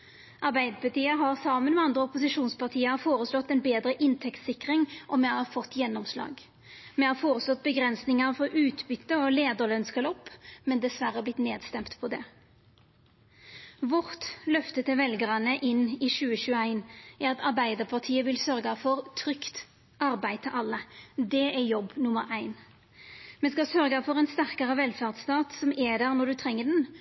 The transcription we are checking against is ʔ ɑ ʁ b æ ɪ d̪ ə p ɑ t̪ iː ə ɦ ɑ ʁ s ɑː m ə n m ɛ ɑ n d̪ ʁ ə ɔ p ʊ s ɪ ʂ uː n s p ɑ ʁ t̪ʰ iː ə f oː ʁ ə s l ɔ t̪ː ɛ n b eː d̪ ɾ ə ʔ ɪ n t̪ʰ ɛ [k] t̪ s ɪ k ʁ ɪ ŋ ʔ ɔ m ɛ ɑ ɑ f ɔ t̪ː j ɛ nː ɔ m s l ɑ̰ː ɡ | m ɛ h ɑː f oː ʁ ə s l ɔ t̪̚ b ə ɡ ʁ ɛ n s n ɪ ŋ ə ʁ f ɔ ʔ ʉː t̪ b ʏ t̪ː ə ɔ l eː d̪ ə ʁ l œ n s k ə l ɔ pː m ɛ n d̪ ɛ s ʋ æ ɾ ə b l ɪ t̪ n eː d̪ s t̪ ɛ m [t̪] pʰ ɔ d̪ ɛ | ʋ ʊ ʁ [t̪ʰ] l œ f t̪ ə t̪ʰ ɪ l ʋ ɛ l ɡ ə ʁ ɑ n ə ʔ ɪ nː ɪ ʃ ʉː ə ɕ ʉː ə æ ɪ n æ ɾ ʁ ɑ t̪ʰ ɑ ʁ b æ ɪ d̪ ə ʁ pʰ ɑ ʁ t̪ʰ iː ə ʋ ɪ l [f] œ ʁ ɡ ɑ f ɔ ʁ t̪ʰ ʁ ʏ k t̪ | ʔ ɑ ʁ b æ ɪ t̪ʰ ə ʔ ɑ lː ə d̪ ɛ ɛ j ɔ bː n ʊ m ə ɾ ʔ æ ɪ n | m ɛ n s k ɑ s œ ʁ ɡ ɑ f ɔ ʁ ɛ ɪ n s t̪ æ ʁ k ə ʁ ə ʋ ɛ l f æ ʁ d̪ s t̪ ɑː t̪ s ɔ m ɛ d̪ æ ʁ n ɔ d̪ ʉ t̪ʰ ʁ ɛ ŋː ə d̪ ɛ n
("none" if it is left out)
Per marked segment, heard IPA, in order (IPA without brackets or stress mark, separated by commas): k, t̪, t̪, s